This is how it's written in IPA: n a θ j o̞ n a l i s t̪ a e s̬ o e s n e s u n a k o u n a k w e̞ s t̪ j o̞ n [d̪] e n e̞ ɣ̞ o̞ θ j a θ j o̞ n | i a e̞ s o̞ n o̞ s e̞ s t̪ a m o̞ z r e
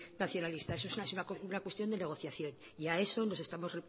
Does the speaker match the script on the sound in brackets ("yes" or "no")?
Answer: yes